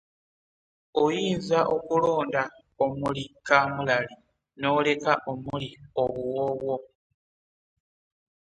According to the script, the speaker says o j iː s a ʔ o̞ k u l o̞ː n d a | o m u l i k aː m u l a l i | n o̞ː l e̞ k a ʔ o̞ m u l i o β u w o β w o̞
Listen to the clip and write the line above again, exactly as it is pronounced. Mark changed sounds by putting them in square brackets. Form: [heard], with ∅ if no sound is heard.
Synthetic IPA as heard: o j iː [z] a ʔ o̞ k u l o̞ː n d a | o m u l i k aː m u l a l i | n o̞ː l e̞ k a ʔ o̞ m u l i o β u w o β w o̞